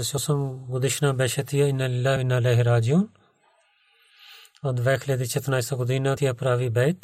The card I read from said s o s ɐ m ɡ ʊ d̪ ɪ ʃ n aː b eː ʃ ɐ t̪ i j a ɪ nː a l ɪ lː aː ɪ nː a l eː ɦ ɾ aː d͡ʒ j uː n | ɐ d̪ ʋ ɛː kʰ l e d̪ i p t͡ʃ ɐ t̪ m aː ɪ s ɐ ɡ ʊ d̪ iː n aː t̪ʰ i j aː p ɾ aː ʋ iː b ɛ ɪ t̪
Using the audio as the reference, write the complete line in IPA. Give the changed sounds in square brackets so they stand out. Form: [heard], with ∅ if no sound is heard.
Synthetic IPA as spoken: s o s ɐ m ɡ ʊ d̪ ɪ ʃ n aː b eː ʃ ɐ t̪ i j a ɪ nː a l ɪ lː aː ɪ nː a l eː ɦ ɾ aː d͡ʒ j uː n | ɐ d̪ ʋ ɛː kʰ l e d̪ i [∅] t͡ʃ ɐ t̪ [n] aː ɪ s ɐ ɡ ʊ d̪ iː n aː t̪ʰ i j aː p ɾ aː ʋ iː b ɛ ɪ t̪